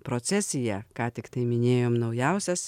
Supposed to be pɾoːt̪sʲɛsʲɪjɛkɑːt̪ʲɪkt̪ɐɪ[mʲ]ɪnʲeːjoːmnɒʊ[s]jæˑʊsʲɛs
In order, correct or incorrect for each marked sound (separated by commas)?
correct, incorrect